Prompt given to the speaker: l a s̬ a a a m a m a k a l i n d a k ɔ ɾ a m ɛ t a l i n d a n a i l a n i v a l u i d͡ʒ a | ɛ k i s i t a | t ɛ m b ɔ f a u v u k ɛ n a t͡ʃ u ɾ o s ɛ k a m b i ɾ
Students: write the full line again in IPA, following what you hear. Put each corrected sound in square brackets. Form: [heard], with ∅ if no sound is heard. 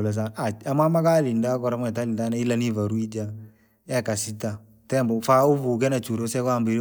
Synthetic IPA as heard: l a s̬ a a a m a m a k a l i n d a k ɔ ɾ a m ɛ t a l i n d a n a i l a n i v a [ɾ] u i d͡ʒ a | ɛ k [a] s i t a | t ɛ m b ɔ f a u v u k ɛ n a t͡ʃ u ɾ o s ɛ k a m b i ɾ

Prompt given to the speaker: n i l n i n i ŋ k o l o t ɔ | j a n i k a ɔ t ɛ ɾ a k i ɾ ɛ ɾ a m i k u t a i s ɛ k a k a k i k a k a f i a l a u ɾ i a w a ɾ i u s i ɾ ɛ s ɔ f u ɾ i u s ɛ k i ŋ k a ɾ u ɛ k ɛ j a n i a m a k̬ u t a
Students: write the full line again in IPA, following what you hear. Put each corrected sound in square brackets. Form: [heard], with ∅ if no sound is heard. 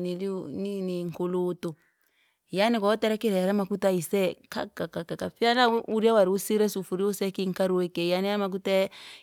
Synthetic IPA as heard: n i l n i n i ŋ k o l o t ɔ | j a n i k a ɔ t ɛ ɾ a k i ɾ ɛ ɾ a m [a] k u t a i s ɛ k a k a k [a] k a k a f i a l a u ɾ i a w a ɾ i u s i ɾ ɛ s [u] f u ɾ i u s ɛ k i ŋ k a ɾ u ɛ k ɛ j a n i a m a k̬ u t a

